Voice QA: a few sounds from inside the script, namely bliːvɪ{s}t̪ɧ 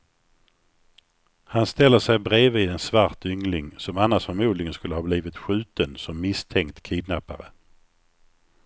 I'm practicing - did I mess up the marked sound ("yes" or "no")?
yes